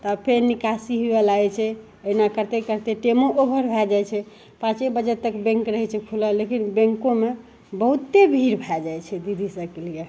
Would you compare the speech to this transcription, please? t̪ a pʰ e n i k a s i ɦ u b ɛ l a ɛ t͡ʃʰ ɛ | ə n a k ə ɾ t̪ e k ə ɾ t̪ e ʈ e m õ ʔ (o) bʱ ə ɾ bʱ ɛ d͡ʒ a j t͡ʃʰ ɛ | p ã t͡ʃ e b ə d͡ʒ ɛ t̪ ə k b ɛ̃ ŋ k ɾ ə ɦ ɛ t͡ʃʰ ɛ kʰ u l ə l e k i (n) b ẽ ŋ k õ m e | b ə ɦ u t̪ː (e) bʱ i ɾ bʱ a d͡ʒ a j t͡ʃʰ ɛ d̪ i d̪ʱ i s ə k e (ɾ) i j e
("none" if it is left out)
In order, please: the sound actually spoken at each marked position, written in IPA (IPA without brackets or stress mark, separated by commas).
o, n, e, l